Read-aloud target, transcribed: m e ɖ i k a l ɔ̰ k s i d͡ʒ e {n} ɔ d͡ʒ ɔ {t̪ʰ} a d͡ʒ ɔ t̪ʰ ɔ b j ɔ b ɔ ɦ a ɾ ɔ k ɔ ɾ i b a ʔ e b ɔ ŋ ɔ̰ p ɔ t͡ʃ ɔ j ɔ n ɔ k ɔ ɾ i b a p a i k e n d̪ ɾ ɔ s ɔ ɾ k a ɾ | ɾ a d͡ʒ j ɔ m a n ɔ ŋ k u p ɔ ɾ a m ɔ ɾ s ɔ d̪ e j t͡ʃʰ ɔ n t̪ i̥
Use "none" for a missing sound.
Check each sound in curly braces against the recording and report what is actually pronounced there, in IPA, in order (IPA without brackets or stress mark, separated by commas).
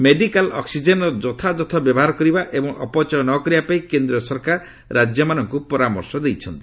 n, t̪ʰ